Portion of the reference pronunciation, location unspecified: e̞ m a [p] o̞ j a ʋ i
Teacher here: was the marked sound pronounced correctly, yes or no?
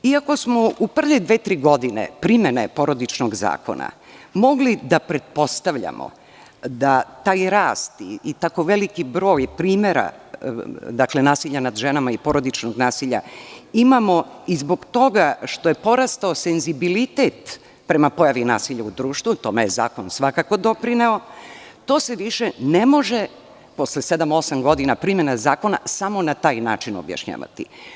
yes